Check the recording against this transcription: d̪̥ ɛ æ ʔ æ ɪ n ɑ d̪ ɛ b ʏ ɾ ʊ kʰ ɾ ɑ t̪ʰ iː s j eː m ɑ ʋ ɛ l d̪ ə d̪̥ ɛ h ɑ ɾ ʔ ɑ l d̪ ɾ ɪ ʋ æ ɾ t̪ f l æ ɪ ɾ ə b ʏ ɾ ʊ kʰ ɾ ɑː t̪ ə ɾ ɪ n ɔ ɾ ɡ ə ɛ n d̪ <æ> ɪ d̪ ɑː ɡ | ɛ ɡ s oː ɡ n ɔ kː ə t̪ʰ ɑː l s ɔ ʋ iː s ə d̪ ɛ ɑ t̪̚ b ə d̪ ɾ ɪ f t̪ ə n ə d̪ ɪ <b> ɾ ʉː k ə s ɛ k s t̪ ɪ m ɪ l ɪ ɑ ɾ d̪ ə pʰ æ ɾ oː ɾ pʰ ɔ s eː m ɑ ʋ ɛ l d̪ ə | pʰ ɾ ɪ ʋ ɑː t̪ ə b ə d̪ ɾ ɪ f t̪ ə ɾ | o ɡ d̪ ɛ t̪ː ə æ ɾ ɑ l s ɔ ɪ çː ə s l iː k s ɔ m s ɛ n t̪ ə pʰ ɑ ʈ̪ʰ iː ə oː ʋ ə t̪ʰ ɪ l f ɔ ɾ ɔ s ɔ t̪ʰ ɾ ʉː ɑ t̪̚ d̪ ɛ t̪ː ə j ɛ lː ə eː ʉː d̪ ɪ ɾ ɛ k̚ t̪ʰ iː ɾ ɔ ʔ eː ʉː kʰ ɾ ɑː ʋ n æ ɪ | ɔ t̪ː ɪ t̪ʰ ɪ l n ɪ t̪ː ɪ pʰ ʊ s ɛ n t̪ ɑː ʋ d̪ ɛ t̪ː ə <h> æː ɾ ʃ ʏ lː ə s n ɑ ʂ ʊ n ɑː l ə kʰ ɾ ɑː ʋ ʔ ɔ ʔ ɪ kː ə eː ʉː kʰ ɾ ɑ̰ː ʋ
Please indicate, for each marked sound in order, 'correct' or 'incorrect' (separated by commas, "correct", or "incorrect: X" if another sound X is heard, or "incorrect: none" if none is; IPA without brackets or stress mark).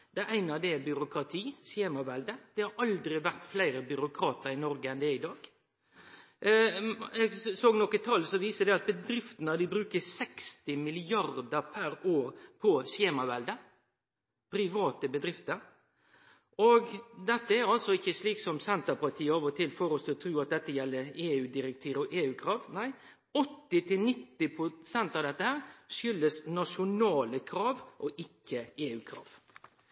incorrect: ɛ, correct, correct